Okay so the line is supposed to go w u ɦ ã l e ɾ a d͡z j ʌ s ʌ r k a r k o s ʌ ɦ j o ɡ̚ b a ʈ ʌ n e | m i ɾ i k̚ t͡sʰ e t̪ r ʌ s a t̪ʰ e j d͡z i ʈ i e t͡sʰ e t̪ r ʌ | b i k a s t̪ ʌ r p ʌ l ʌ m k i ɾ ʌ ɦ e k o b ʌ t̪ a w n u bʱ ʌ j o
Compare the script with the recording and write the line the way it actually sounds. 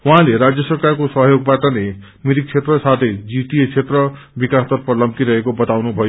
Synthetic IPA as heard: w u ɦ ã l e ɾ a d͡z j ʌ s ʌ r k a r k o s ʌ ɦ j o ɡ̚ b a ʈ ʌ n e | m i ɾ i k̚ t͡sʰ e t̪ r ʌ s a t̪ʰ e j d͡z i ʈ i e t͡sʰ e t̪ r ʌ | b i k a s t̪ ʌ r p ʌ l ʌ m k i ɾ ʌ ɦ e k o b ʌ t̪ a w n u bʱ ʌ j o

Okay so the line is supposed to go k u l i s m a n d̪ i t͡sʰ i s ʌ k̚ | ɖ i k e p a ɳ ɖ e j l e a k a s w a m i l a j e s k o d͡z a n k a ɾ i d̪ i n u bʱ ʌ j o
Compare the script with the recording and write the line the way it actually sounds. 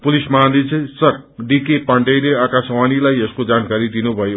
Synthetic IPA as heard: p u l i s m a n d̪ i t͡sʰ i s ʌ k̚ | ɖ i k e p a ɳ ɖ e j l e a k a s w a n i l a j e s k o d͡z a n k a ɾ i d̪ i n u bʱ ʌ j o

